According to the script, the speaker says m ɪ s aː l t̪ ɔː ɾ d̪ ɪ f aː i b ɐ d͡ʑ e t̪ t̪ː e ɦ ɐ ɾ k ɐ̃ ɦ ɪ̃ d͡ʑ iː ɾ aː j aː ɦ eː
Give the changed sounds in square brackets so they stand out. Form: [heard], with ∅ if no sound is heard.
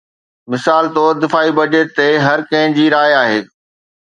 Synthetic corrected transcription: m ɪ s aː l t̪ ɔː ɾ d̪ ɪ f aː i b ɐ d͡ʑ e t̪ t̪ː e ɦ ɐ ɾ k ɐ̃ ɦ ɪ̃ d͡ʑ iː ɾ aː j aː ɦ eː